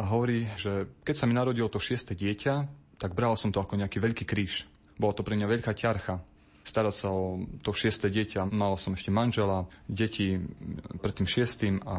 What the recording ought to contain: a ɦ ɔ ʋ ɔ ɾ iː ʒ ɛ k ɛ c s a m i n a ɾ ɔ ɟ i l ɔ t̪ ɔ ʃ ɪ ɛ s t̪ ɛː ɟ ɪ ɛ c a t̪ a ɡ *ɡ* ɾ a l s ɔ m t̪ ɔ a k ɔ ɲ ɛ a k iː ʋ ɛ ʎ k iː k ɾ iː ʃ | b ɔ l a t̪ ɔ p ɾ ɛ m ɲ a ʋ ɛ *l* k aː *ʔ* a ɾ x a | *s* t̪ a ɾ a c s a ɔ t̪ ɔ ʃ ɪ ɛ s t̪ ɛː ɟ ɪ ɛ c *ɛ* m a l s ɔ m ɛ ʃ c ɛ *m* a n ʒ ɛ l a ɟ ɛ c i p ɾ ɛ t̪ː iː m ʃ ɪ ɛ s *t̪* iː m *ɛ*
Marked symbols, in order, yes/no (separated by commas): no, no, no, yes, no, yes, yes, no